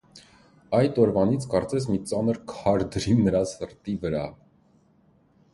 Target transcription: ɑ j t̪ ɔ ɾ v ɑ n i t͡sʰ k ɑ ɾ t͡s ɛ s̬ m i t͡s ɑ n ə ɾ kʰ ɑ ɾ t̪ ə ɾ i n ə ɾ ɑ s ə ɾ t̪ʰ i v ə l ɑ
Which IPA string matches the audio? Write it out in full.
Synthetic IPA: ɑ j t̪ ɔ ɾ v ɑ n i t͡sʰ k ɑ ɾ t͡s ɛ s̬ m i t͡s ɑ n ə ɾ kʰ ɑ ɾ d̪ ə ɾ i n ə ɾ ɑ s ə ɾ t̪ i v ə ɾ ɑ